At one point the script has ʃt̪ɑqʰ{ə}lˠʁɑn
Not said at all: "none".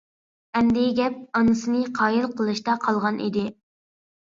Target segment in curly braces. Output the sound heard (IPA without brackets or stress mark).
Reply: ɑ